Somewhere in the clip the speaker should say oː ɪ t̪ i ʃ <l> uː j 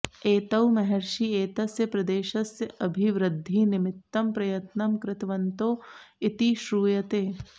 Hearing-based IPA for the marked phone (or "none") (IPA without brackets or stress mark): ɾ